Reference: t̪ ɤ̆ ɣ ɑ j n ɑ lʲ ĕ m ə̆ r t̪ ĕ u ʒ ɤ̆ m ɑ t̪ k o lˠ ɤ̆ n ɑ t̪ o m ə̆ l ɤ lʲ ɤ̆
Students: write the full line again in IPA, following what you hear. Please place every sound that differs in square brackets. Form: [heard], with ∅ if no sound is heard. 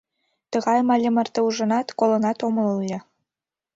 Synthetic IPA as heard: t̪ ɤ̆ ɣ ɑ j [m] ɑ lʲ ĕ m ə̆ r t̪ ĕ u ʒ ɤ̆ [n] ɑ t̪ k o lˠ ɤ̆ n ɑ t̪ o m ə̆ l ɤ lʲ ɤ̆

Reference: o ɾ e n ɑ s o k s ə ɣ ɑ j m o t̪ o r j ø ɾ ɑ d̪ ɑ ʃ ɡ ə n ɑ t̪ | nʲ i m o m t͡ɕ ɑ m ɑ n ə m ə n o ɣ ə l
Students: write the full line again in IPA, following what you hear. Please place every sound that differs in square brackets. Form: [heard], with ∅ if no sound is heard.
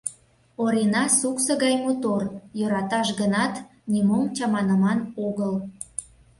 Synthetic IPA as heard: o ɾ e n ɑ s [u] k s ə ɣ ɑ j m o t̪ o r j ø ɾ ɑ [t̪] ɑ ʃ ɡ ə n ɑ t̪ | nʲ i m o m t͡ɕ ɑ m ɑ n ə m [ɑ] n o ɣ ə l

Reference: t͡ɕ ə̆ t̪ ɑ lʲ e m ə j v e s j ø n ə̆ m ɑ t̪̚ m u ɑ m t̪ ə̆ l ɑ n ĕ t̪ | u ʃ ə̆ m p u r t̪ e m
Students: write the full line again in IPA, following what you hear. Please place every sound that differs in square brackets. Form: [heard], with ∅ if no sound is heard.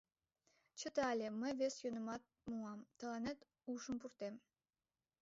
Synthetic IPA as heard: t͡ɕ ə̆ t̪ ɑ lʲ e m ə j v e s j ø n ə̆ m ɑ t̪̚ m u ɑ m t̪ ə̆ l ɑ n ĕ t̪ | u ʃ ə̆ m p u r t̪ e m

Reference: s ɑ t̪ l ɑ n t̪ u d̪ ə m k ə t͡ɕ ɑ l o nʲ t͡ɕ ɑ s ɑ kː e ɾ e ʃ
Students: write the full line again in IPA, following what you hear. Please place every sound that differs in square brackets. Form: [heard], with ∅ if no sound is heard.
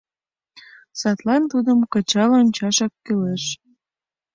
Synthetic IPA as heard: s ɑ t̪ l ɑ n t̪ u d̪ ə m k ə t͡ɕ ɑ l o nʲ t͡ɕ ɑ [ʃ] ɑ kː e [l] e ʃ

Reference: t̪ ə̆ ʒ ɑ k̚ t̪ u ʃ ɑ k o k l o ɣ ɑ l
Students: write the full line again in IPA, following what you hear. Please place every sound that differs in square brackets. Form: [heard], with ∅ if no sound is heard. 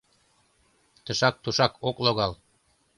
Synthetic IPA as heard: t̪ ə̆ [ʃ] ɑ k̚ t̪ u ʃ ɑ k o k l o ɣ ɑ l

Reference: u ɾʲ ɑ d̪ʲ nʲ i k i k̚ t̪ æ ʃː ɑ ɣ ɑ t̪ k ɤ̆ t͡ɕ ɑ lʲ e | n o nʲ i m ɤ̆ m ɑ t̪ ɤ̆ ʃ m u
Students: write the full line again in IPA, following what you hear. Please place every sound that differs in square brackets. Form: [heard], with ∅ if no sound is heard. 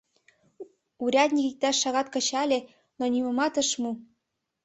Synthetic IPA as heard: u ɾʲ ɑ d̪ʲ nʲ i k i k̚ t̪ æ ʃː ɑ ɣ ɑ t̪ k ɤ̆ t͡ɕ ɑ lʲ e | n o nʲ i m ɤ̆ m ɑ t̪ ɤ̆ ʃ m u

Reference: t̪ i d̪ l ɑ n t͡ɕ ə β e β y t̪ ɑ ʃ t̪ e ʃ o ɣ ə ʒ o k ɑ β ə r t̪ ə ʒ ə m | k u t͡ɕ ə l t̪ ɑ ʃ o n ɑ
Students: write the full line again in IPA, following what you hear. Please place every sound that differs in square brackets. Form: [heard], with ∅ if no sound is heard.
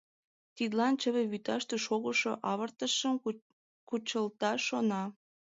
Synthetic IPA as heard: t̪ i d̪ l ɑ n t͡ɕ ə β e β y t̪ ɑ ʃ t̪ e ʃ o ɣ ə [ʃ] o [ʔ] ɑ β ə r t̪ ə [ʃ] ə m | k u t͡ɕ ə l t̪ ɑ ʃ o n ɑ

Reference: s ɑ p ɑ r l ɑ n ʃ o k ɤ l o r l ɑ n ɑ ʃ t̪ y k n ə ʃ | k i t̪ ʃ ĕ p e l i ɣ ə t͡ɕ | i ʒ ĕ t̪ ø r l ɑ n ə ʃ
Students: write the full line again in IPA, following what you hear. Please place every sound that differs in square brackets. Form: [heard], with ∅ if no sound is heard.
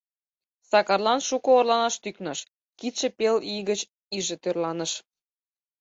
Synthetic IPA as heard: s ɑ [k] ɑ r l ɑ n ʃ [u] k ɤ [∅] o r l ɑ n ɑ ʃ t̪ y k n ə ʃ | k i t̪ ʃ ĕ p e l i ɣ ə t͡ɕ | i ʒ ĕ t̪ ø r l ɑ n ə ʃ

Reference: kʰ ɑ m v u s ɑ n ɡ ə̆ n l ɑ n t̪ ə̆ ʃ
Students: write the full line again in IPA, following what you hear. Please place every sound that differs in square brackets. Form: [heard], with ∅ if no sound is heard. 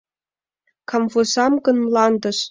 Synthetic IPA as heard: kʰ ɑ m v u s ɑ [m] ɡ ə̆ n l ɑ n [d̪] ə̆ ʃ

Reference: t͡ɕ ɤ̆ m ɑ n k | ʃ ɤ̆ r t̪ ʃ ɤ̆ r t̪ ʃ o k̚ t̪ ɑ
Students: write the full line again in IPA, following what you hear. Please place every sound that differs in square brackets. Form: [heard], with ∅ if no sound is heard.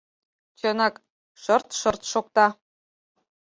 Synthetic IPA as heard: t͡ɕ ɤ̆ [n] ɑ [∅] k | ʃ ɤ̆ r t̪ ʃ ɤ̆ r t̪ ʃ o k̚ t̪ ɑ

